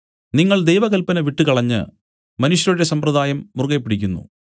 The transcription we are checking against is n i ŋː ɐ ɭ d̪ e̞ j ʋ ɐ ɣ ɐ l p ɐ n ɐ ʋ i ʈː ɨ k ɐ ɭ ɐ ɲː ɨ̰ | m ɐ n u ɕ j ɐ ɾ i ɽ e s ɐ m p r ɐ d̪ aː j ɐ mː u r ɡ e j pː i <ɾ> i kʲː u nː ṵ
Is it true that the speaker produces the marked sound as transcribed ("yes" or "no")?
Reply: no